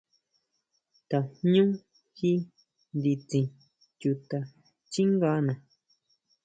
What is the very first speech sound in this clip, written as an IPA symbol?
t̪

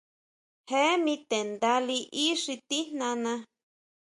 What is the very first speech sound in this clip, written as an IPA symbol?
h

